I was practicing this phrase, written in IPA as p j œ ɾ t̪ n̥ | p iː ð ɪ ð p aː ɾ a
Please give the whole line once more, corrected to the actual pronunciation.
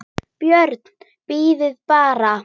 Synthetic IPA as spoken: p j œ ɾ t̪ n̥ | p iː ð ɪ ð p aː ɾ a

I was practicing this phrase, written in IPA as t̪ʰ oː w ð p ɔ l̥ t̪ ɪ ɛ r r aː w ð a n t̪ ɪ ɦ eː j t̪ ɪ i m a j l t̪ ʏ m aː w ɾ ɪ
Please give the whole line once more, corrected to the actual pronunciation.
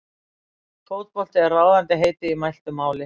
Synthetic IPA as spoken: t̪ʰ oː w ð p ɔ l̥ t̪ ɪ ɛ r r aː w ð a n t̪ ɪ ɦ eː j t̪ ɪ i m a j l t̪ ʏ m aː w l ɪ

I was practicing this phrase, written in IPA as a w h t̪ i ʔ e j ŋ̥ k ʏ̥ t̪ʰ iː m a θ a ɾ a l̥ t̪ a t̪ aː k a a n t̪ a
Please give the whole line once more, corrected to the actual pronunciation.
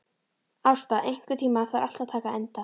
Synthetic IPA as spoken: a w s t̪ a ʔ e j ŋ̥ k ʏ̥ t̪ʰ iː m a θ a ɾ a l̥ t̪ a t̪ʰ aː k a ɛ n t̪ a

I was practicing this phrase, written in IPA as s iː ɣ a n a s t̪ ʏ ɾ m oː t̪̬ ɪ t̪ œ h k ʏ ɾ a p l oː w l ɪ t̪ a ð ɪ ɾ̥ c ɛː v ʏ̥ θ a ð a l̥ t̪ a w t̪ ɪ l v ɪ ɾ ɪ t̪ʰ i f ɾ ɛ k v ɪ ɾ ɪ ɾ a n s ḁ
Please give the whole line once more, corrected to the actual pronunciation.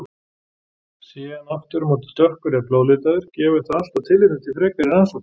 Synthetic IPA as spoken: s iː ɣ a n a f t̪ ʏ ɾ m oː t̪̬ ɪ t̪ œ h k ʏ ɾ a p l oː w l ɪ t̪ a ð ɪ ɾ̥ c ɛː v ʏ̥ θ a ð a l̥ t̪ a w t̪ʰ ɪ l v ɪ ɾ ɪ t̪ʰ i f ɾ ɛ k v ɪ ɾ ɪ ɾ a n s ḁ

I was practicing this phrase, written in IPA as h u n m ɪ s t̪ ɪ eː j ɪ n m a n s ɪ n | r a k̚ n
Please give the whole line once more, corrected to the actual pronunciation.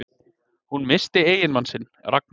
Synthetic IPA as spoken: h u n m ɪ s t̪ ɪ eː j ɪ n m a n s ɪ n | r a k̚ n

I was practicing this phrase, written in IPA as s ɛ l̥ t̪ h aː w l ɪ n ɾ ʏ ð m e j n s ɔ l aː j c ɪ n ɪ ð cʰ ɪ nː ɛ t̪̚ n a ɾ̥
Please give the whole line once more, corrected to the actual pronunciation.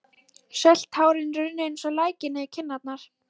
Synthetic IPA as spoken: s ɛ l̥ t̪ h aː w ɾ ɪ n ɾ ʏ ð n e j n s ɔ l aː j c ɪ n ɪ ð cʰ ɪ nː a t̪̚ n a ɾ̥

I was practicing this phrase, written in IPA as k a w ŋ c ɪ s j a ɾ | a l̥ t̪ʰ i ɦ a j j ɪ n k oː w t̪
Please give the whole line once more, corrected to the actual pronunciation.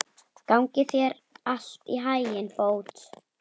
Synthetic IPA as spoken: k a w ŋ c ɪ θ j ɛ ɾ | a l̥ t̪ i ɦ a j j ɪ n p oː w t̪

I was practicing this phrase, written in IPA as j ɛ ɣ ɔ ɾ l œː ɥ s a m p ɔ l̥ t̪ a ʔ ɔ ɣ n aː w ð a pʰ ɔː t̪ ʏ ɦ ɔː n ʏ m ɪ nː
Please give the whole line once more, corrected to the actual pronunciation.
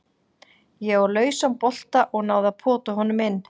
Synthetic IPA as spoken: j ɛ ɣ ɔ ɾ l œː ɥ s a m p ɔ l̥ t̪ a ʔ ɔ ɣ n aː w ð a pʰ ɔː t̪ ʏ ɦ ɔ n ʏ m ɪ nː

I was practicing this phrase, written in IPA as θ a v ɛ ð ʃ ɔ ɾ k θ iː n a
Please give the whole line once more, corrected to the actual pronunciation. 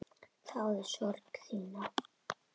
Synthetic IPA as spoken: θ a w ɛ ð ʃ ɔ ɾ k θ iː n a

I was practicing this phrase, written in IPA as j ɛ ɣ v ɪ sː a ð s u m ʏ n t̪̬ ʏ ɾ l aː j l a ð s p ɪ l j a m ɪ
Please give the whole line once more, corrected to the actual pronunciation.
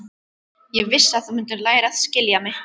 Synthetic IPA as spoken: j ɛ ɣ v ɪ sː a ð θ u m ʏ n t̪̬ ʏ ɾ l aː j ɾ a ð s c ɪ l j a m ɪ

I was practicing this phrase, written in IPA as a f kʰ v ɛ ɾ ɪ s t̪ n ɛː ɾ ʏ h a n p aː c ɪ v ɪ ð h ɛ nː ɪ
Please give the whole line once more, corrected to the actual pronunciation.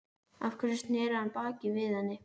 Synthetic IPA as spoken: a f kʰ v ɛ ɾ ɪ s t̪ n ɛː ɾ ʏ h a n p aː c ɪ v ɪ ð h a nː ɪ

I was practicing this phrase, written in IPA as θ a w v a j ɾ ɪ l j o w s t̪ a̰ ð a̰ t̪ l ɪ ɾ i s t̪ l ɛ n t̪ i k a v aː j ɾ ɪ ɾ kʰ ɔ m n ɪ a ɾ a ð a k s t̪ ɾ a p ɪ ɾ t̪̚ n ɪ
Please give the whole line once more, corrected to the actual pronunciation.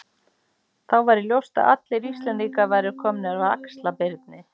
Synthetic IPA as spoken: θ a w v a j ɾ ɪ l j o w s t̪ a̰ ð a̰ t̪ l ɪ ɾ i s t̪ l ɛ n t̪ i k a v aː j ɾ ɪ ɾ kʰ ɔ m n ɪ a ɾ a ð a k s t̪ l a p ɪ ɾ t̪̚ n ɪ

